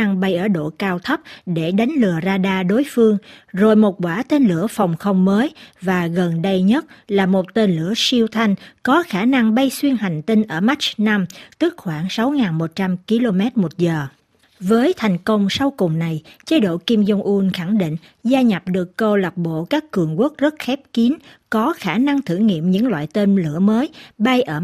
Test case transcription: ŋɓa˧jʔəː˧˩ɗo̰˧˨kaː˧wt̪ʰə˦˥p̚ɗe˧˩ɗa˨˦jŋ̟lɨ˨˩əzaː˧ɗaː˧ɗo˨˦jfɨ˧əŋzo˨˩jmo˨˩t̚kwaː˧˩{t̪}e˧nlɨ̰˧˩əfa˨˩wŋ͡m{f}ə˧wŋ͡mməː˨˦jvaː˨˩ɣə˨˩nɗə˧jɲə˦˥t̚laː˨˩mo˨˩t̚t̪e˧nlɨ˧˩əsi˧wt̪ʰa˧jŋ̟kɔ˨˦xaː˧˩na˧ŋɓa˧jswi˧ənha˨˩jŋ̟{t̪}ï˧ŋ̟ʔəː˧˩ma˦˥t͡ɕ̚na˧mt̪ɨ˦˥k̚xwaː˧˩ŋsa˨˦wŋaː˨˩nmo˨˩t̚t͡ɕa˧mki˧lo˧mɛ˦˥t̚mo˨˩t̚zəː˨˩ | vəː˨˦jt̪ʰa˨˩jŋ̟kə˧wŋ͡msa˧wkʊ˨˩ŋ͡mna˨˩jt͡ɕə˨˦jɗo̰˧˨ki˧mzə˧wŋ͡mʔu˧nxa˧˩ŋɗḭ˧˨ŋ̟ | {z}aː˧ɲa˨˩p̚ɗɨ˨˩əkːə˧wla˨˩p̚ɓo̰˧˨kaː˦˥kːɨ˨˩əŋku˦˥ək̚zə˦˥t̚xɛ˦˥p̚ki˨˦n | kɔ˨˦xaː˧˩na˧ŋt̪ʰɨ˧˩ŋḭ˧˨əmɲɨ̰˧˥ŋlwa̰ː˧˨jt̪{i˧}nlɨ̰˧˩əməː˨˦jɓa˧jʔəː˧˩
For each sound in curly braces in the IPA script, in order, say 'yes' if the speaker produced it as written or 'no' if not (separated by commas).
yes, no, yes, yes, no